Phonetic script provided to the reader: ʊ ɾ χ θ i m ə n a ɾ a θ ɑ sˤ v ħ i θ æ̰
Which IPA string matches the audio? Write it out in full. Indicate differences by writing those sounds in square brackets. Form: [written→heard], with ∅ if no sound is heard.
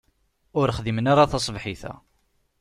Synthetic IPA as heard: ʊ ɾ χ [θ→ð] i m ə n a ɾ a θ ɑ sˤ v ħ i θ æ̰